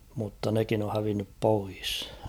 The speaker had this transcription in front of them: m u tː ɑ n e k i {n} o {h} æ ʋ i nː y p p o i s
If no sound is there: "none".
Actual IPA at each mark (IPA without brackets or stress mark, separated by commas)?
n, h